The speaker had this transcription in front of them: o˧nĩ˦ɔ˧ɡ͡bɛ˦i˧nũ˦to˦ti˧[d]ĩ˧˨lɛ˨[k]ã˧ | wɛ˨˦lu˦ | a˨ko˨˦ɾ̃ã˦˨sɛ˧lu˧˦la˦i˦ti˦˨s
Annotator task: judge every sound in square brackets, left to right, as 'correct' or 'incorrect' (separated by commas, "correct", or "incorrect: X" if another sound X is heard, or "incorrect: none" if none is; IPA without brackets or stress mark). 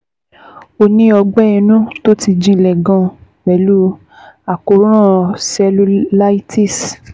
incorrect: d͡ʒ, incorrect: ɡ